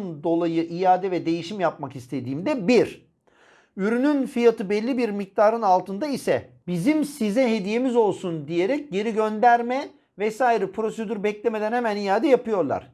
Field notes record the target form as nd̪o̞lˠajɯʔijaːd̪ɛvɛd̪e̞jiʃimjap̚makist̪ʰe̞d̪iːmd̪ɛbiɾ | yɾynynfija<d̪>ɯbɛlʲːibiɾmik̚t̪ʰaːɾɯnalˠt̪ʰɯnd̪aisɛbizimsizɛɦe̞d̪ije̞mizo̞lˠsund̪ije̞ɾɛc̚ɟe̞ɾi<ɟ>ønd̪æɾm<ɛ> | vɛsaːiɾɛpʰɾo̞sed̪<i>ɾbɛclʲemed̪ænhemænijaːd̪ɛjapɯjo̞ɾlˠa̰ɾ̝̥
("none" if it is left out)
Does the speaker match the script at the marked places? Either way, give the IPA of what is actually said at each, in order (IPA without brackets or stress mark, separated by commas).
t̪, ɟ, ɛ, y